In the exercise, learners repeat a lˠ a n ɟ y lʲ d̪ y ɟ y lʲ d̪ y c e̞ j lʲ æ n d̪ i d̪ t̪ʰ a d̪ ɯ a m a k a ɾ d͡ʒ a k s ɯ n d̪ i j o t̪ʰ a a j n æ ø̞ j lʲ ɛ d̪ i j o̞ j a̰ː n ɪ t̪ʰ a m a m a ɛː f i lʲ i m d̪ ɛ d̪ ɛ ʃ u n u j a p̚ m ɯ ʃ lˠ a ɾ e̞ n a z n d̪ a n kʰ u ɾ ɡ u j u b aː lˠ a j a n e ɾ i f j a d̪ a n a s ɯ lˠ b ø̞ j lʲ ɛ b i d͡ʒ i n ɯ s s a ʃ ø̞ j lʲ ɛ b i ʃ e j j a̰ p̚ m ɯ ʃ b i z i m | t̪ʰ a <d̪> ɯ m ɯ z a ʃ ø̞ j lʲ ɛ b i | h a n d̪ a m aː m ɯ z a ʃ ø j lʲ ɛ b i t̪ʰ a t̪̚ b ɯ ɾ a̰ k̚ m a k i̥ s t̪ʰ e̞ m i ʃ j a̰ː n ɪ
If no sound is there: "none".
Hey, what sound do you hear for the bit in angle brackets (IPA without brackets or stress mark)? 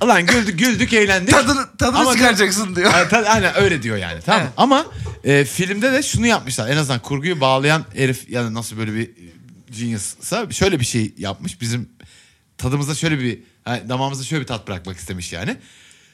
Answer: d̪